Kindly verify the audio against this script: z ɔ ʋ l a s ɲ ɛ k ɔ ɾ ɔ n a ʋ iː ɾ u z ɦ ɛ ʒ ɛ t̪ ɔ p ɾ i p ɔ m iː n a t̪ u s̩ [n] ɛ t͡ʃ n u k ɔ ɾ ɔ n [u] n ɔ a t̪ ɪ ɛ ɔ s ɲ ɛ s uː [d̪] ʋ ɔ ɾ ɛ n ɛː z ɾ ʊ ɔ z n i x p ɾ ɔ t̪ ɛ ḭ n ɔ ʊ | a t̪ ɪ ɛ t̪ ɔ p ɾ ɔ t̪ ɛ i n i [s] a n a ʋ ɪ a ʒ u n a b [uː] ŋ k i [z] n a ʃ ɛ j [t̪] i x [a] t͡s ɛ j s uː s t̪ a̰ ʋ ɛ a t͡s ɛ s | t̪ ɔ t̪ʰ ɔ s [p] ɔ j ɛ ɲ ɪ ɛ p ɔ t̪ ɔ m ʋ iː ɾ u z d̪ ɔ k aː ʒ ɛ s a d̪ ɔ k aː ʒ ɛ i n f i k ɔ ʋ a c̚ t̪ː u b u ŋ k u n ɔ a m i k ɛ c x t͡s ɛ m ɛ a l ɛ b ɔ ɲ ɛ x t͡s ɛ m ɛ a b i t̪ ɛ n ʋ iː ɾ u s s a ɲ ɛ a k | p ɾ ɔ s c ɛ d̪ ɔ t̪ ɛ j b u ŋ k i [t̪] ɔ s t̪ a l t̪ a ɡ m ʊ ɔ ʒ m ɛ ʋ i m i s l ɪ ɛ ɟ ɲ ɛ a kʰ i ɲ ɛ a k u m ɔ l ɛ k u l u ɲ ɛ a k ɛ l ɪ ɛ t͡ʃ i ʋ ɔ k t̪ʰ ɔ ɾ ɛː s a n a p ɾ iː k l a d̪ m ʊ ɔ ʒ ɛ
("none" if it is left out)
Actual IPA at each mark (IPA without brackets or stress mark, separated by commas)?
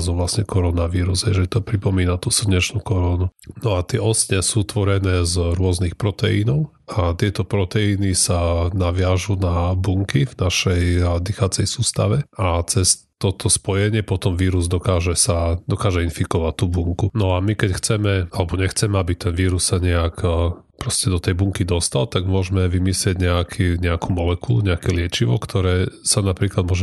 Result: ɲ, u, t̪, s, u, v, d̪, a, p, d̪